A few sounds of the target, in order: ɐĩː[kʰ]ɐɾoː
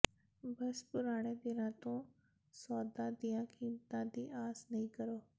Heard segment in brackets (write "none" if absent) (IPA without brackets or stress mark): k